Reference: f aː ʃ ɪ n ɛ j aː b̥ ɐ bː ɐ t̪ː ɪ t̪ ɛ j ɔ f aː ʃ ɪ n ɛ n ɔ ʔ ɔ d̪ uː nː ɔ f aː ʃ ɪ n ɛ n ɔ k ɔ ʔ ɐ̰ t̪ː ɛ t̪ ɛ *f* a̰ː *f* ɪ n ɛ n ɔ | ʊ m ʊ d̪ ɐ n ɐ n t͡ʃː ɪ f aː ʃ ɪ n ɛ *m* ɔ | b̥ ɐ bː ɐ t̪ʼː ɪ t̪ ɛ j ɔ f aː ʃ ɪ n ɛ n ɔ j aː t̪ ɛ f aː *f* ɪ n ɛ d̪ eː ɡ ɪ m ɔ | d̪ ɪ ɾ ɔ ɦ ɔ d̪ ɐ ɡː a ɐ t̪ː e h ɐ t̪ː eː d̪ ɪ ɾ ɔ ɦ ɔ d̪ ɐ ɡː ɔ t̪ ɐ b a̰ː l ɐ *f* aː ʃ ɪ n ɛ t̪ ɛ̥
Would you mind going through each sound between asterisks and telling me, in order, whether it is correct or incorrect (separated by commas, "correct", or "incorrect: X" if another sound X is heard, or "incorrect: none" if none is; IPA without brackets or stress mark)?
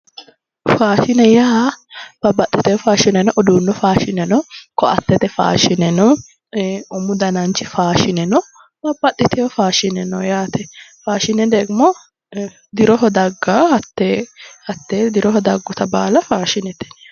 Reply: correct, incorrect: ʃ, incorrect: n, incorrect: ʃ, correct